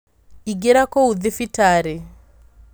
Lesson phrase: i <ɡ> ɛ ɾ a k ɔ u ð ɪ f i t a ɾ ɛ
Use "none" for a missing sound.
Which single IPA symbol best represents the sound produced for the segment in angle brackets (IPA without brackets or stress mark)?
ɡ